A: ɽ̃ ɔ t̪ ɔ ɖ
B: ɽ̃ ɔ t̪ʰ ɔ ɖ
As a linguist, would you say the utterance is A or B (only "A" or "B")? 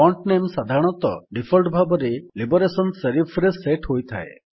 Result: A